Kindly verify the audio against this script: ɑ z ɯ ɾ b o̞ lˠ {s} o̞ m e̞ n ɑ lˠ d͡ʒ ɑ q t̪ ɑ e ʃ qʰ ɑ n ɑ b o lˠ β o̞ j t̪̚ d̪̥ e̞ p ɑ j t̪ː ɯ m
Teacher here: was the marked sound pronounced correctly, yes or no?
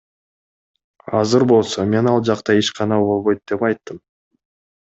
yes